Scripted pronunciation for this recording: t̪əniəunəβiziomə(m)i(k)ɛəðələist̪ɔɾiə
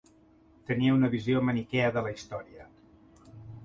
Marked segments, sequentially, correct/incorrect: incorrect: n, correct

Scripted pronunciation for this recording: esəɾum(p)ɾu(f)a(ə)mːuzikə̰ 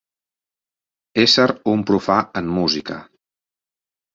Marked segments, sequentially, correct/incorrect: correct, correct, correct

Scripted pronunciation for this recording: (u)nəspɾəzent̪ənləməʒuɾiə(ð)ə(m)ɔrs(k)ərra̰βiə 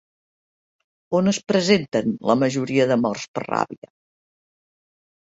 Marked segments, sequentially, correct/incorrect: incorrect: o, correct, correct, incorrect: p

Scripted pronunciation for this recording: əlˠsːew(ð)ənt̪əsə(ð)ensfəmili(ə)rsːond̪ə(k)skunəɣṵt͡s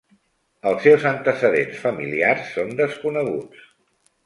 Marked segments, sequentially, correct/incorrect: incorrect: z, correct, incorrect: a, incorrect: none

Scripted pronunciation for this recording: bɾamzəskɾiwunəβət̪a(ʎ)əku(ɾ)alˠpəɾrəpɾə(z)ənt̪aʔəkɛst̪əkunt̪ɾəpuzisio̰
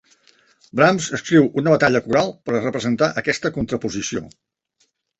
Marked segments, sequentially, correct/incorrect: correct, correct, correct

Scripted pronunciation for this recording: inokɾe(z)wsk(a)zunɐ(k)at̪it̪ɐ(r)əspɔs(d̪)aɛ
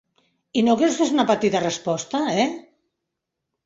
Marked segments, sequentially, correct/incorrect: incorrect: none, incorrect: e, incorrect: p, correct, incorrect: t̪

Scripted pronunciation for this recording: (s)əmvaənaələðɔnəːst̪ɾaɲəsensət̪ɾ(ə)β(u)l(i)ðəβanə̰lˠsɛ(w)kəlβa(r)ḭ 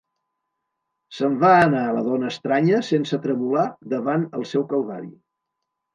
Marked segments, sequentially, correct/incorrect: correct, correct, correct, incorrect: a, correct, incorrect: ɾ

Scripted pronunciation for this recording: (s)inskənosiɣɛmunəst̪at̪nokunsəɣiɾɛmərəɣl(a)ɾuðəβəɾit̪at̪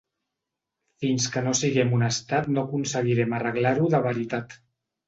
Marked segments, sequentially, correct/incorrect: incorrect: f, correct

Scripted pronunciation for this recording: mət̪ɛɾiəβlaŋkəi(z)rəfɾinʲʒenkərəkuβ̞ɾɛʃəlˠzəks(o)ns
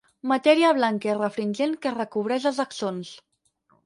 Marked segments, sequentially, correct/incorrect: incorrect: none, correct

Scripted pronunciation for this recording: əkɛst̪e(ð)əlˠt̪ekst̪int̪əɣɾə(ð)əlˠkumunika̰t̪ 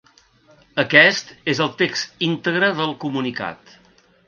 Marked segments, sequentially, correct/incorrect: incorrect: z, correct

